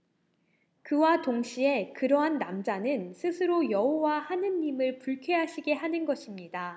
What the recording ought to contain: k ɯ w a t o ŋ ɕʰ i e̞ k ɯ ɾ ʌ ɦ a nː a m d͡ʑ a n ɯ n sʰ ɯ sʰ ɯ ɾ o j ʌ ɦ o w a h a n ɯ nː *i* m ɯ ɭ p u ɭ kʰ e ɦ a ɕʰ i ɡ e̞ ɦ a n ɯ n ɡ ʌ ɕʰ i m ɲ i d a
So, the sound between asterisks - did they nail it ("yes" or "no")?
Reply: yes